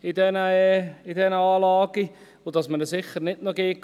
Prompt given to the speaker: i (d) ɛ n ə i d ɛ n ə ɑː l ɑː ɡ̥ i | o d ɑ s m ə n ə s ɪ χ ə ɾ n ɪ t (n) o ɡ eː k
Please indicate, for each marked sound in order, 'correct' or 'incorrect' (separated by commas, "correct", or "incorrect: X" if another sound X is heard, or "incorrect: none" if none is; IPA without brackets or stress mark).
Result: correct, correct